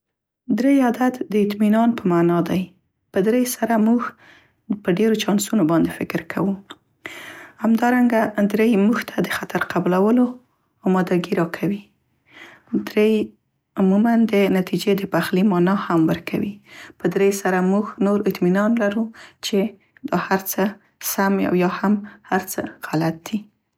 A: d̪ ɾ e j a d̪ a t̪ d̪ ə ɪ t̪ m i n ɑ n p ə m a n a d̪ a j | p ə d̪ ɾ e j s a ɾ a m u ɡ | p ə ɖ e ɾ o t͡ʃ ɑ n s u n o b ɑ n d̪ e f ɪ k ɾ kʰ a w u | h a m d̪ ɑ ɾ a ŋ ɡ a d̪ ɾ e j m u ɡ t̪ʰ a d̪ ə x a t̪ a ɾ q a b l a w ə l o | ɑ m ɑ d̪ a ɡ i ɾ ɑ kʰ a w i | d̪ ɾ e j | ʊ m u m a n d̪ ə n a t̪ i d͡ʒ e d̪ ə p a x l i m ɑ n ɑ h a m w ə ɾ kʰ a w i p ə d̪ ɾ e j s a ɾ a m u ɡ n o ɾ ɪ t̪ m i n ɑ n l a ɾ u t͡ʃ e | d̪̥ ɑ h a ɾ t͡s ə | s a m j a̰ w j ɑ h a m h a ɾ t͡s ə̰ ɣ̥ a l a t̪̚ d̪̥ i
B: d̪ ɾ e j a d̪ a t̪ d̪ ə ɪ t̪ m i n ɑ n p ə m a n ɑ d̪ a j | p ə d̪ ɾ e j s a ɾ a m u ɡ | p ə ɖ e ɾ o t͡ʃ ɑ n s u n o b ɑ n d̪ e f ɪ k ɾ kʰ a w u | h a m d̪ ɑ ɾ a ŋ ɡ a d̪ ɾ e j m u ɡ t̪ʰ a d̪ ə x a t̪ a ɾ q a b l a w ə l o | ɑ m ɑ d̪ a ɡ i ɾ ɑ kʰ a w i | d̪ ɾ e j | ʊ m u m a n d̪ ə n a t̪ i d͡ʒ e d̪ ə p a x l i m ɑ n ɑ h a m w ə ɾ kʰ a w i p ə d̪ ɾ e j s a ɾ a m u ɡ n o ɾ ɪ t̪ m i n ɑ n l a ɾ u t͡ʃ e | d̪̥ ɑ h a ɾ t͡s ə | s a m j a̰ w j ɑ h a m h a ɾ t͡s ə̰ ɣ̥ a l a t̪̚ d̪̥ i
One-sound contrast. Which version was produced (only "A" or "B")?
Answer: B